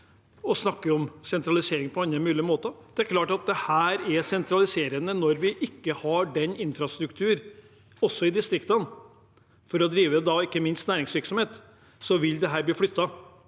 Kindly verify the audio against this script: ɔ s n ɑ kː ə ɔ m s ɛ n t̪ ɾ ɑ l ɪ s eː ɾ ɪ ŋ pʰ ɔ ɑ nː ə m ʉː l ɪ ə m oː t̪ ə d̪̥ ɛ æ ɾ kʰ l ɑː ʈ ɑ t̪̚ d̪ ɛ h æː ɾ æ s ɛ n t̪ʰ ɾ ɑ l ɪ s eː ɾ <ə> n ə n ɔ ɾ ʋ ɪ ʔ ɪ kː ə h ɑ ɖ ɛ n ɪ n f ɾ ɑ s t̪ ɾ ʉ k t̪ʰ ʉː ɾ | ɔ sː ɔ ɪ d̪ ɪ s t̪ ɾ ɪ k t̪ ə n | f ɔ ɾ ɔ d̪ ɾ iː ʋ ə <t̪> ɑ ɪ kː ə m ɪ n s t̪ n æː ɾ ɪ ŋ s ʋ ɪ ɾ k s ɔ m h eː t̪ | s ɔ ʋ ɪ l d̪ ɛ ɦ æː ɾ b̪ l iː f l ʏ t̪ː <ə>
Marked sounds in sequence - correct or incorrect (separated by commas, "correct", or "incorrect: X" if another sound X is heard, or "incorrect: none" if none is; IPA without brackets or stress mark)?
correct, incorrect: d̪, incorrect: ɑ